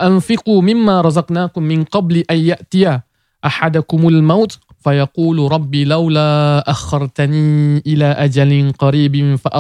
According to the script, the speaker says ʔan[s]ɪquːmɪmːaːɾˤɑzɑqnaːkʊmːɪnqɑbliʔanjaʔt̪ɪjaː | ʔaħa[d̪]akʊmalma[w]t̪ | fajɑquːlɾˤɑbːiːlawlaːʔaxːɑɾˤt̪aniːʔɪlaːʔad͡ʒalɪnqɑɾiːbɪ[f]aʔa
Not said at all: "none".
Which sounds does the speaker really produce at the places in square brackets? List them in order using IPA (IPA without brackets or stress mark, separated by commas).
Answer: f, d̪, w, f